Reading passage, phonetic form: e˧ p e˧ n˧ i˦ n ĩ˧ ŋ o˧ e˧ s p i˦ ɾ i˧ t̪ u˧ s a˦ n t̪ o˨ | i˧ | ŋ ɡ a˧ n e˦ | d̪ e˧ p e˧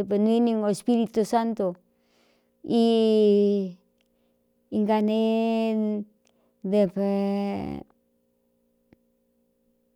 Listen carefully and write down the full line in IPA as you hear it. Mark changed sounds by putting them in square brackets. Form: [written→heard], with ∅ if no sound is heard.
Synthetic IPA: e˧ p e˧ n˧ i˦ n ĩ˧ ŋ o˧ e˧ s p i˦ ɾ i˧ t̪ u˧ s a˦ n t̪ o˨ | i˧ | ŋ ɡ a˧ n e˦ | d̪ e˧ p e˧